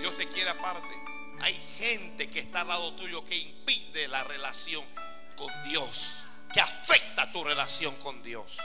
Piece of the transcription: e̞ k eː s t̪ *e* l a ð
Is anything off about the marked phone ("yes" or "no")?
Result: yes